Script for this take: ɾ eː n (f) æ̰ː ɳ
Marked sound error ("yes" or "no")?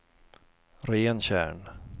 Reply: yes